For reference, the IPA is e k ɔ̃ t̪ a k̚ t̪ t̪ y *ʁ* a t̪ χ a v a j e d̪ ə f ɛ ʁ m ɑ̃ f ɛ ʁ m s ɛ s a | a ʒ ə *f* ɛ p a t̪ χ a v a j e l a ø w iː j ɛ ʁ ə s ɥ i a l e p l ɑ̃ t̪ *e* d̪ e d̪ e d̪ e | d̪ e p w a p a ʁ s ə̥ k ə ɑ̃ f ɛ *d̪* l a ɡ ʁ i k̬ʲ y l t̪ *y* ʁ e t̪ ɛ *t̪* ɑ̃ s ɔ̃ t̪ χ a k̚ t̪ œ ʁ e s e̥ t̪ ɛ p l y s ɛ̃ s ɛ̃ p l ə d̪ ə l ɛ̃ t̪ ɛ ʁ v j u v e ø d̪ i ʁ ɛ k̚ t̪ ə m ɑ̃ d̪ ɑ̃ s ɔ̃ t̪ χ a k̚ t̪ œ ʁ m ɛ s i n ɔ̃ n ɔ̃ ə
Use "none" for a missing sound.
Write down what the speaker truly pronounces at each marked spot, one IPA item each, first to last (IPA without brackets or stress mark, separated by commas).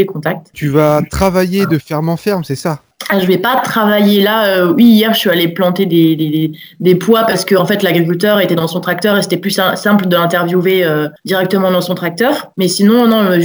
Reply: v, v, e, t̪, œ, d̪